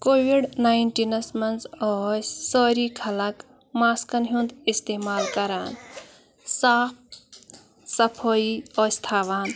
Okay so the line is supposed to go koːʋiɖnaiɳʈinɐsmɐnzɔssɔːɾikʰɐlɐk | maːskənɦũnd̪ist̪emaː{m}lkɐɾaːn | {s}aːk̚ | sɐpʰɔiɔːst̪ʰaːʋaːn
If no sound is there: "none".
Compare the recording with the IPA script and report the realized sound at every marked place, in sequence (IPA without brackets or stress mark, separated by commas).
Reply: none, s